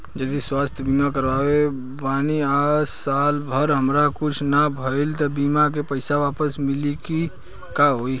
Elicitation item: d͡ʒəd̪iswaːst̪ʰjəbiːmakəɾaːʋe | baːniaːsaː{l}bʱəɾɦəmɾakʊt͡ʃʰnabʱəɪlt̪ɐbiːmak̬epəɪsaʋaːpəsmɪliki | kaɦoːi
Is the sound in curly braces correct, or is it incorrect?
correct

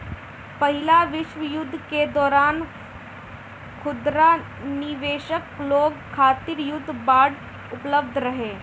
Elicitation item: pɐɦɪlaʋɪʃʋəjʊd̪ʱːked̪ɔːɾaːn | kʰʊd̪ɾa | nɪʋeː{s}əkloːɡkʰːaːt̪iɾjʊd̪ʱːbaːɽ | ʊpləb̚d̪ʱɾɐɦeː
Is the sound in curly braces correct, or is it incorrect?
incorrect: ʃ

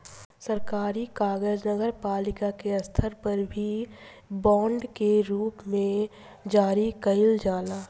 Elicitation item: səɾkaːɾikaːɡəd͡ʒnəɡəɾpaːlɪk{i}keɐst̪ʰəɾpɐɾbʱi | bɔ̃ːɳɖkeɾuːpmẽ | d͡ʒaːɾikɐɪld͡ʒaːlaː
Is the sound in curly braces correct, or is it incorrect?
incorrect: a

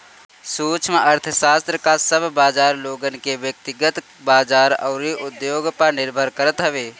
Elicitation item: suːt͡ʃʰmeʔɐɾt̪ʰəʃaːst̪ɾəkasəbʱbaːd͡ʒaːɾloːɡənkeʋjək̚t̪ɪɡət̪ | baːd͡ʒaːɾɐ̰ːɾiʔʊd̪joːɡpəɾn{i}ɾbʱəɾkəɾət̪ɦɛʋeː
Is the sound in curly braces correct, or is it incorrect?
incorrect: ɪ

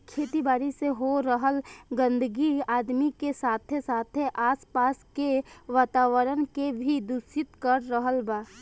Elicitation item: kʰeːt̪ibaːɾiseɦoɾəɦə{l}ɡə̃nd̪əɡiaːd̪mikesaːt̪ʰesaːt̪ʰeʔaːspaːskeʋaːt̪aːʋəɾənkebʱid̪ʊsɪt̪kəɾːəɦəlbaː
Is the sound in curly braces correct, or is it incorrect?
correct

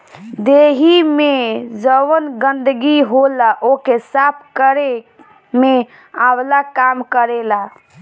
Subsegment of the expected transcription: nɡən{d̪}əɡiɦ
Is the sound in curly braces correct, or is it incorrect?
correct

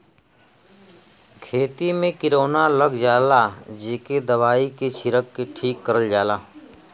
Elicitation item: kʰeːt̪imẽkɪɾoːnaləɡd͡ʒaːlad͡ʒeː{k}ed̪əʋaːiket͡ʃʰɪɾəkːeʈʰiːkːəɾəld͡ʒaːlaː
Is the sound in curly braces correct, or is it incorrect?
correct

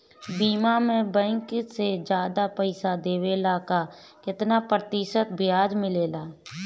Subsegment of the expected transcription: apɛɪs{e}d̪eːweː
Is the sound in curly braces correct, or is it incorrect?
incorrect: a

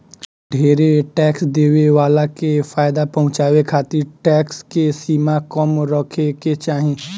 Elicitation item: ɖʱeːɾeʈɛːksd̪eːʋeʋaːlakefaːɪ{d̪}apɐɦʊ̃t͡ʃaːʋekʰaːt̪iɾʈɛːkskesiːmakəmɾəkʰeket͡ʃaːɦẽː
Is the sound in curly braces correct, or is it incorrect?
correct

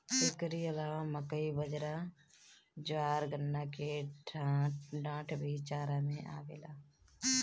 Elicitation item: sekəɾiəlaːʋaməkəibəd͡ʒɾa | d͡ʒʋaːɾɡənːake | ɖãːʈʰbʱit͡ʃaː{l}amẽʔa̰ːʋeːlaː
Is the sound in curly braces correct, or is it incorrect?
incorrect: ɾ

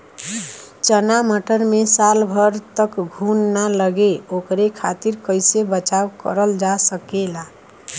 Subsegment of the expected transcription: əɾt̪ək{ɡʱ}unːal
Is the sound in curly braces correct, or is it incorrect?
correct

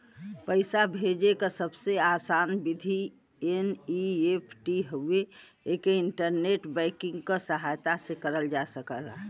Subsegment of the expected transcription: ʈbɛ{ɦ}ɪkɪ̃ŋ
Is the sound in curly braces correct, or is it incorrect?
incorrect: none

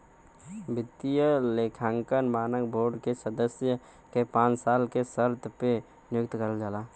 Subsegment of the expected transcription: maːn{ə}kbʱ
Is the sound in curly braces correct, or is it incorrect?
correct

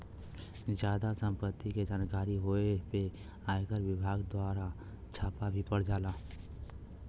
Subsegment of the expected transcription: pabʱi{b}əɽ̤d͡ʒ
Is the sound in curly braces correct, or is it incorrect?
incorrect: p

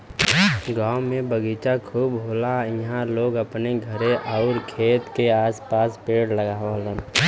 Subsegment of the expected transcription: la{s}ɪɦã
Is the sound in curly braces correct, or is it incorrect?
incorrect: none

